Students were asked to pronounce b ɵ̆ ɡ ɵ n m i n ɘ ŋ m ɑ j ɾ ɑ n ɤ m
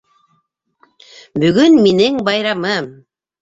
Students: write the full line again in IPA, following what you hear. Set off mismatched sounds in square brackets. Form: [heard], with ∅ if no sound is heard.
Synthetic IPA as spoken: b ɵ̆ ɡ ɵ n m i n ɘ ŋ [b] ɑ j ɾ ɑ [m] ɤ m